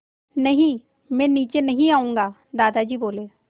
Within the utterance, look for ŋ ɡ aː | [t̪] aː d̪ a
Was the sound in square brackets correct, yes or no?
no